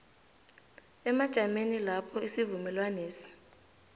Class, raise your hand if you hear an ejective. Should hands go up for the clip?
no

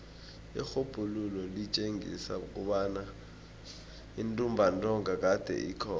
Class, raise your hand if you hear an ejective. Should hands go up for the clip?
yes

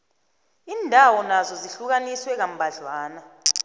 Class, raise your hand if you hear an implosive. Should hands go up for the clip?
no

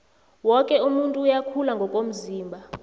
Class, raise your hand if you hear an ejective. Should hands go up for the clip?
yes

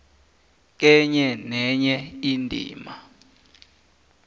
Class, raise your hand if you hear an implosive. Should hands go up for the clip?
no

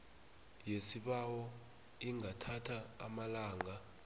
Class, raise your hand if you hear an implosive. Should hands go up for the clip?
yes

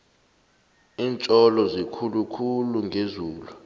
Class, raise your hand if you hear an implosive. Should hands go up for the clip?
no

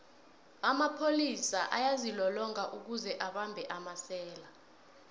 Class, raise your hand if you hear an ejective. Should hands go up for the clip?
no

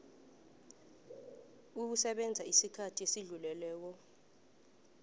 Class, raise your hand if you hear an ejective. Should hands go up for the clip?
no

